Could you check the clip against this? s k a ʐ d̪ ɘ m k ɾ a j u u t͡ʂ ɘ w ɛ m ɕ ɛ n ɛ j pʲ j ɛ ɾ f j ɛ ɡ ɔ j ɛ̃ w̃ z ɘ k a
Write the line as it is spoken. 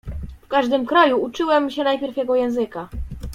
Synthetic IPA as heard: f k a ʐ d̪ ɘ m k ɾ a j u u t͡ʂ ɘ w ɛ m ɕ ɛ n a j pʲ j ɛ ɾ f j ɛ ɡ ɔ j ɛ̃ w̃ z ɘ k a